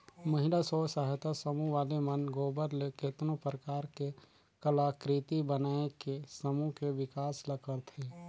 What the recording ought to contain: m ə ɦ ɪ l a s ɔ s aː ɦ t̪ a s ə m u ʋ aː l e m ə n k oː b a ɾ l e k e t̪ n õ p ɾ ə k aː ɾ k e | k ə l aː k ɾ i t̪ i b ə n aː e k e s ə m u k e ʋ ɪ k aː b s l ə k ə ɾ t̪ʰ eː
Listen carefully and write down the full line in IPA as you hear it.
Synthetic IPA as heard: m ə ɦ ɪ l a s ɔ s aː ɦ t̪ a s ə m u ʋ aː l e m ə n ɡ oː b ə ɾ l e k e t̪ n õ p ɾ ə k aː ɾ k e | k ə l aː k ɾ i t̪ i b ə n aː e k e s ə m u k e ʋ ɪ k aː s l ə k ə ɾ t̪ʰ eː